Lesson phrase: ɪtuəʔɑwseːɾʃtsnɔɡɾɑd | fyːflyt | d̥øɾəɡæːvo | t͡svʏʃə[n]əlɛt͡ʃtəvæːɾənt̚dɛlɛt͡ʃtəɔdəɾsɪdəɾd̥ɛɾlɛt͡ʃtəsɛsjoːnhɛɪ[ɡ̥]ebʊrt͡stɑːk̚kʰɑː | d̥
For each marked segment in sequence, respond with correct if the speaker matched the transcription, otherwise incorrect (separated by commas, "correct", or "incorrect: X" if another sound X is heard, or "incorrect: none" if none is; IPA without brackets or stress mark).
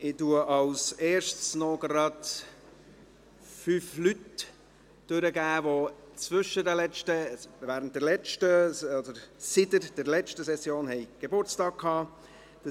incorrect: d, correct